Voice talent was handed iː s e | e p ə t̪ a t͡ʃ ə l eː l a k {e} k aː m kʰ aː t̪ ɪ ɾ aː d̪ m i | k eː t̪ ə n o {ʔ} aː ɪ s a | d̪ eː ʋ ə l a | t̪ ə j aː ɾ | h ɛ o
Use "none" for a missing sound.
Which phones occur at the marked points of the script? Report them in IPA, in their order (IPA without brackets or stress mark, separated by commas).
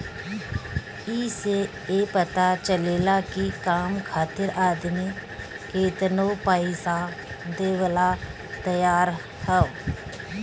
i, p